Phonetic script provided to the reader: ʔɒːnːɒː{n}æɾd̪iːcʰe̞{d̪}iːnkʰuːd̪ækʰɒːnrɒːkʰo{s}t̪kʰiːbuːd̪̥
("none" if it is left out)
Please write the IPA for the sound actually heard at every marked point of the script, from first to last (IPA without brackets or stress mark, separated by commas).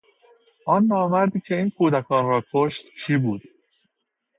m, none, ʃ